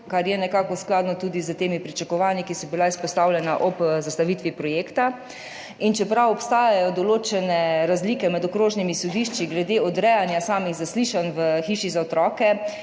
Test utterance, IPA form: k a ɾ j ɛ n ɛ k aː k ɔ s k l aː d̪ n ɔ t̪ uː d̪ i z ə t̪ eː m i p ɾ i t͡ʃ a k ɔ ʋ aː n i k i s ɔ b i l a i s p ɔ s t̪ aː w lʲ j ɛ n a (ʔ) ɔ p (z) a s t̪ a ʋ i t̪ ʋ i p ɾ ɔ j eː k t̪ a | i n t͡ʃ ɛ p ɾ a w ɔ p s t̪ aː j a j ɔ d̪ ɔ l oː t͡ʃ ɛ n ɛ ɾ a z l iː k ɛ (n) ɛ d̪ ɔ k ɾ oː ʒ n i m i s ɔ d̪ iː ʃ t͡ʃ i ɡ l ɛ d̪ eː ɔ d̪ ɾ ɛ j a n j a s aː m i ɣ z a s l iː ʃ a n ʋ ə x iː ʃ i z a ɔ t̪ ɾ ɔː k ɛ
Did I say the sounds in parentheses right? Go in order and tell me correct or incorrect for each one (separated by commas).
correct, correct, incorrect